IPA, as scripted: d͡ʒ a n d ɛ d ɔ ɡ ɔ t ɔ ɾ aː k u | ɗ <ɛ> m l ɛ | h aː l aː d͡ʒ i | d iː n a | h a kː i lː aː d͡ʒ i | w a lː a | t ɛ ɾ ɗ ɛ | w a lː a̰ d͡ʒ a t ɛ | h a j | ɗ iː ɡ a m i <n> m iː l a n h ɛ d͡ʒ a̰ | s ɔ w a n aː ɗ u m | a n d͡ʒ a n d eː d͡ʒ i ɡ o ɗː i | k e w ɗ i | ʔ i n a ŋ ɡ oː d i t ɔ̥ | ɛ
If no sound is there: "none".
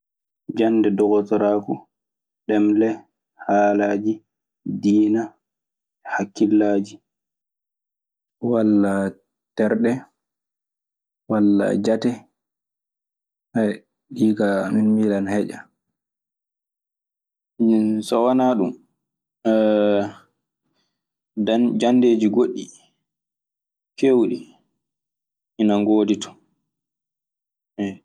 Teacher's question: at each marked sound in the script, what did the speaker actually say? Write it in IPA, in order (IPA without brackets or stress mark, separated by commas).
ɛ, n